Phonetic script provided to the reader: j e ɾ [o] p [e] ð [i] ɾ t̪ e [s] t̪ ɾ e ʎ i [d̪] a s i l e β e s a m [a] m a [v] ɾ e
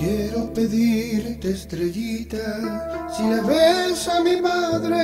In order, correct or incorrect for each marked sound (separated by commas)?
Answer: correct, correct, correct, correct, incorrect, incorrect, incorrect